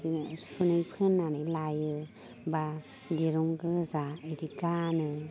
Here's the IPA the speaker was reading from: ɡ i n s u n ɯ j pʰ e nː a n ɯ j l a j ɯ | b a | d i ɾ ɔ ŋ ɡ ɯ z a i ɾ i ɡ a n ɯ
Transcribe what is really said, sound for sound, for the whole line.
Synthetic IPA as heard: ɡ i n s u n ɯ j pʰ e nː a n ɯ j l a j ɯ | b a | d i ɾ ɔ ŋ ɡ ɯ z a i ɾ i ɡ a n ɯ